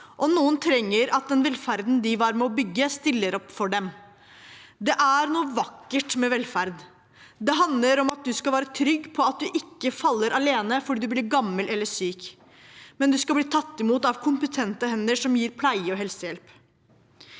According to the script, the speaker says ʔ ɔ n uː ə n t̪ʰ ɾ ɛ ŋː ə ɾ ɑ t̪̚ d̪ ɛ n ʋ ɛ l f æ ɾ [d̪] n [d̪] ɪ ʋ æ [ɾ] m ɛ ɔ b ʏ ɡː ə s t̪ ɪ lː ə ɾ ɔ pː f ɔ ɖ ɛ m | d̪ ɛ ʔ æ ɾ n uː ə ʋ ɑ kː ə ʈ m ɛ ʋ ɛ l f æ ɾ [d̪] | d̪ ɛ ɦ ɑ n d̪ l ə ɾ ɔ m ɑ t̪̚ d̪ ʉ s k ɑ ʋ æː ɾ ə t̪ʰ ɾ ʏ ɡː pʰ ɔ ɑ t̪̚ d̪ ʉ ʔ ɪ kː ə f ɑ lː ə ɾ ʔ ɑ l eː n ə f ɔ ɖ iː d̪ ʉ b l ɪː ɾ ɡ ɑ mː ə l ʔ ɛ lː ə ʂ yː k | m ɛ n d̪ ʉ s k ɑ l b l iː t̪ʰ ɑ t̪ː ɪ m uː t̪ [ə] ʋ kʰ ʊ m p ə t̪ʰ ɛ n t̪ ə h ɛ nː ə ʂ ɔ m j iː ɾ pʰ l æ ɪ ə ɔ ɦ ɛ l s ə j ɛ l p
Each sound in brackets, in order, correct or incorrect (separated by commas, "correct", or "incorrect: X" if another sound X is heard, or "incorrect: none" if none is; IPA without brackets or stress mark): correct, correct, correct, correct, incorrect: ɑ